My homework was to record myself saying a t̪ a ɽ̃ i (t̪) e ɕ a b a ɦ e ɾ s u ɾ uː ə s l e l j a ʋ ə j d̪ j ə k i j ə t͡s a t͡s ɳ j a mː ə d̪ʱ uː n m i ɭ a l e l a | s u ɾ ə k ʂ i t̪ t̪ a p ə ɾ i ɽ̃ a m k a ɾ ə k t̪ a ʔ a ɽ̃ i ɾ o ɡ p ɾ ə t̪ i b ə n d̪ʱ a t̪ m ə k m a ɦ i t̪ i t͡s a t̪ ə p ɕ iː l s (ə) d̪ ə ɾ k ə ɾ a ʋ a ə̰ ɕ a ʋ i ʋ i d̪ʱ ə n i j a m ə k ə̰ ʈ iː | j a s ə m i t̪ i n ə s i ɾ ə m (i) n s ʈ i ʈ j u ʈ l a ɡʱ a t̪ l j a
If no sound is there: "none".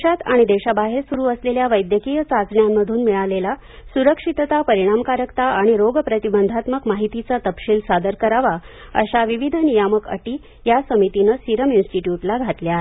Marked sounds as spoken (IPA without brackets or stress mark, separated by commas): d̪, a, i